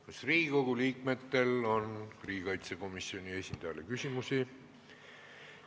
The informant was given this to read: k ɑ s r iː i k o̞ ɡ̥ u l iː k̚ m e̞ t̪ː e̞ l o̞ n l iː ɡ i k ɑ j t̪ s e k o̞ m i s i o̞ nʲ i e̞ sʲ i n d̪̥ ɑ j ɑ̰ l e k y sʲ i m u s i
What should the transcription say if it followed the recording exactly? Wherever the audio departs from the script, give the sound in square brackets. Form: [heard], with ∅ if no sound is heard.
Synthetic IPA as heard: k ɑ s r iː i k o̞ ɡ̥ u l iː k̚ m e̞ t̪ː e̞ l o̞ n [r] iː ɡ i k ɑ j t̪ s e k o̞ m i s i o̞ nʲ i e̞ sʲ i n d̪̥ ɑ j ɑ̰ l e k y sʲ i m u s i